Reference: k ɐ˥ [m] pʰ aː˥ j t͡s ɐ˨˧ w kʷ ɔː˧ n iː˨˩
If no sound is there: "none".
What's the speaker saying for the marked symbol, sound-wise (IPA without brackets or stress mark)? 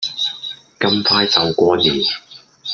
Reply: m